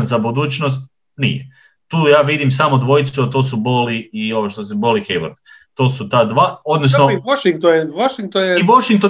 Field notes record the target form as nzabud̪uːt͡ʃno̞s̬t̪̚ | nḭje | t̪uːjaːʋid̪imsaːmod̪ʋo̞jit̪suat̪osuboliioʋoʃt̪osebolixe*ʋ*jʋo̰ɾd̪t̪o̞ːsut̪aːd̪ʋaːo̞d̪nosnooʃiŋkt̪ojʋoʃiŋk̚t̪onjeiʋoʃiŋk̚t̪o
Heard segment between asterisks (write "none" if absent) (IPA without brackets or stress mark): none